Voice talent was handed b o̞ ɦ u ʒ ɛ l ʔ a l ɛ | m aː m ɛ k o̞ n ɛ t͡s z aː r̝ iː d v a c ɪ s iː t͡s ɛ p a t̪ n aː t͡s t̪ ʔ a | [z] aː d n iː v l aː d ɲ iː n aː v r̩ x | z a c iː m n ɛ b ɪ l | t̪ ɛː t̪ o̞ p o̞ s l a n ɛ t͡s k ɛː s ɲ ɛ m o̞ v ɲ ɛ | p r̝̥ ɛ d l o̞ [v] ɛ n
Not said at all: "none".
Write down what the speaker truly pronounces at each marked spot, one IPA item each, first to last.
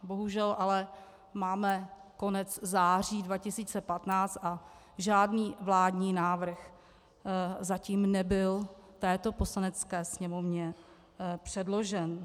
ʒ, ʒ

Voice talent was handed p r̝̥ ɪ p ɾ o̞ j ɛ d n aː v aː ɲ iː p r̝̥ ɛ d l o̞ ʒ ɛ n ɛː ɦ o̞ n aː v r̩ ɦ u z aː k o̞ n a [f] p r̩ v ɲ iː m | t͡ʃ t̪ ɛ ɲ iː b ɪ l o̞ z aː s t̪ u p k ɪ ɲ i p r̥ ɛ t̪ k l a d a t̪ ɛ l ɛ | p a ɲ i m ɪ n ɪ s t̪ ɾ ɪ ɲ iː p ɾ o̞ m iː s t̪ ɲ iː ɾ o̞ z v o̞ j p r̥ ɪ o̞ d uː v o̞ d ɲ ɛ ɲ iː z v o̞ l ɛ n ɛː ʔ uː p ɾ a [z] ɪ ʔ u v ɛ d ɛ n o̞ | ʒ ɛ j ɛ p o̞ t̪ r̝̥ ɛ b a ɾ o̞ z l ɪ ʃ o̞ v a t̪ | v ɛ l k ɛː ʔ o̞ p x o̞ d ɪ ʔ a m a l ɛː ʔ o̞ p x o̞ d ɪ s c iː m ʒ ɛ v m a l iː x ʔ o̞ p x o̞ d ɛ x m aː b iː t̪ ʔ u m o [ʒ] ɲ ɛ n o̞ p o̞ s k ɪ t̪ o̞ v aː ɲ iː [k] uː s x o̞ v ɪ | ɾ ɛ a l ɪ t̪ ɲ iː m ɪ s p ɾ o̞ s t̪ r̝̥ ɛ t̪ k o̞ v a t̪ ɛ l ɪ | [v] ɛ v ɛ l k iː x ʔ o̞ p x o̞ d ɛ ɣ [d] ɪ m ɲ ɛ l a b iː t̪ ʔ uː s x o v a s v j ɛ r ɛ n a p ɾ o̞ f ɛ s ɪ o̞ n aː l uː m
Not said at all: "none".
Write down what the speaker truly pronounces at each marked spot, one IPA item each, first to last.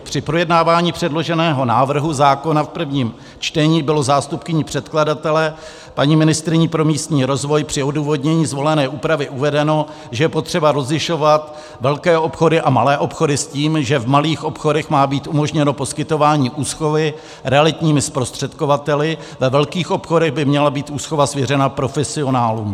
f, v, ʒ, ʔ, v, b

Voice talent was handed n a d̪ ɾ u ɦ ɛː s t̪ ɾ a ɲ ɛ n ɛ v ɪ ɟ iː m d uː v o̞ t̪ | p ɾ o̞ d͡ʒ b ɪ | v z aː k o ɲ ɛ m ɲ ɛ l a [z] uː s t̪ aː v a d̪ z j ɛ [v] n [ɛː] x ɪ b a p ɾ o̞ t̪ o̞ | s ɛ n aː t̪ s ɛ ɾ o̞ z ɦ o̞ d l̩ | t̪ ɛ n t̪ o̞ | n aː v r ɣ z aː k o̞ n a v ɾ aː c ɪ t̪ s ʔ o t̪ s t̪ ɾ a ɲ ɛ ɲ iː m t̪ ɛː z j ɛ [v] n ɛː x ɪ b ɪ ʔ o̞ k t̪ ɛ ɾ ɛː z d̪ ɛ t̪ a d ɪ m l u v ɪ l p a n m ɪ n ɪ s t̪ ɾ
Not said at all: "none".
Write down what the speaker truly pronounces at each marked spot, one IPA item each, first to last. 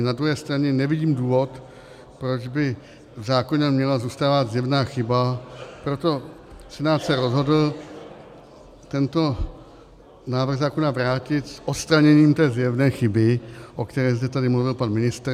z, v, aː, v

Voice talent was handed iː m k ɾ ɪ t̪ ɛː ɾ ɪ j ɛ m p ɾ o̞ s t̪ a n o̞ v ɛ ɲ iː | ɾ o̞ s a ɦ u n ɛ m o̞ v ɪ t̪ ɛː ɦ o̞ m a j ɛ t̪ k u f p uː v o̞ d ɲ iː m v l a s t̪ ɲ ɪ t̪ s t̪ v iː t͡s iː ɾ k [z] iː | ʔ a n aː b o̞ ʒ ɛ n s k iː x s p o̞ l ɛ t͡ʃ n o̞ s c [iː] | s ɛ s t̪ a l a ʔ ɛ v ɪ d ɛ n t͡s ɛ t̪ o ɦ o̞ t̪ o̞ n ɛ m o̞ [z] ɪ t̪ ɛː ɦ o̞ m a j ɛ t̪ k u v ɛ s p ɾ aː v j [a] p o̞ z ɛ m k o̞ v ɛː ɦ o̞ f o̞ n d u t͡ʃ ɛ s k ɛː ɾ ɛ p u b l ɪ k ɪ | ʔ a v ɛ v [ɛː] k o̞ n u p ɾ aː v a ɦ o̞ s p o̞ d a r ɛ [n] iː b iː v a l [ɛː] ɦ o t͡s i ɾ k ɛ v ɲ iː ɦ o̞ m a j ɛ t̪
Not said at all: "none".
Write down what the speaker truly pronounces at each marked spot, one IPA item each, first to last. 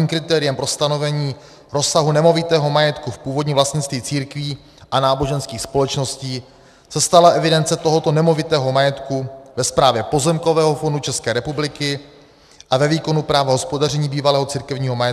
v, iː, v, ɛ, iː, ɲ, ɛː

